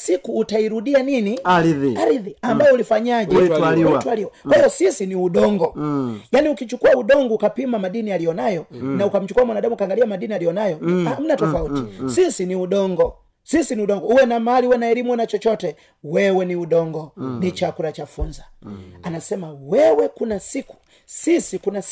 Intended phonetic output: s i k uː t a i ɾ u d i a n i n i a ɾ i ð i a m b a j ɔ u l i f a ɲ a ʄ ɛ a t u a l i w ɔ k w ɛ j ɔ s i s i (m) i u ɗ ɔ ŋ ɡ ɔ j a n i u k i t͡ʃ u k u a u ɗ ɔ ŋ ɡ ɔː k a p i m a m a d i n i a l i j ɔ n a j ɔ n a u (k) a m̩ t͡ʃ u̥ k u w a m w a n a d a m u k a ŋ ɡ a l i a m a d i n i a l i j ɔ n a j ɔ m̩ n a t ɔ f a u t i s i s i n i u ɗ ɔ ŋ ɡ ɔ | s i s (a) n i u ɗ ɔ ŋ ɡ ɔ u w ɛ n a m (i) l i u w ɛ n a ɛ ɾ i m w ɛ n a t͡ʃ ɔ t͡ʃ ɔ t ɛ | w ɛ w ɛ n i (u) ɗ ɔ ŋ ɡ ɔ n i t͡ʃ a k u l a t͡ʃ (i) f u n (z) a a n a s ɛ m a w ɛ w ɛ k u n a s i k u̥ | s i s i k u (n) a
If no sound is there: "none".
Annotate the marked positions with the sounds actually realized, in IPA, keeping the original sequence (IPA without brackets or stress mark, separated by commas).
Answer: n, k, i, a, u, a, z, n